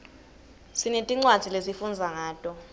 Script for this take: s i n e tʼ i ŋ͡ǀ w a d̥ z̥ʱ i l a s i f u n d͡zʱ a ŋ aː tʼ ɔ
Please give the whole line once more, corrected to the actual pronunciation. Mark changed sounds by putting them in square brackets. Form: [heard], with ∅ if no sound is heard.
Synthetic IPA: s i n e tʼ i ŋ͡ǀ w a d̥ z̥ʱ i l [e] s i f u n d͡zʱ a ŋ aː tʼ ɔ